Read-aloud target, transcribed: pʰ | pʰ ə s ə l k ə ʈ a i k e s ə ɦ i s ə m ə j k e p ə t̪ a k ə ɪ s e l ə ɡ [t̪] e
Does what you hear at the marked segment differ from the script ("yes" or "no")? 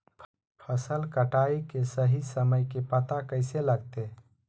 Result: no